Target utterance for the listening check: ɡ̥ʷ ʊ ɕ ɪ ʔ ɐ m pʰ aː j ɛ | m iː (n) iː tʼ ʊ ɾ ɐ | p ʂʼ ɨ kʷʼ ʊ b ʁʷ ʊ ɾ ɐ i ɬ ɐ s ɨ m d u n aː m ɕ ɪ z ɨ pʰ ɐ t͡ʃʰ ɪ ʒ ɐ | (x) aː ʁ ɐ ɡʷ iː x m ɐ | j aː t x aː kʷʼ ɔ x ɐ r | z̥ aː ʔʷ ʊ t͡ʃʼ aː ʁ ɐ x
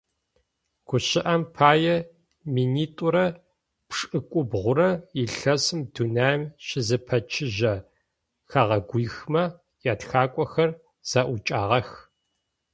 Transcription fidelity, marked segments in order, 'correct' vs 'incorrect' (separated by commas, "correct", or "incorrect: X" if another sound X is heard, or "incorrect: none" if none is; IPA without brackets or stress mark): correct, correct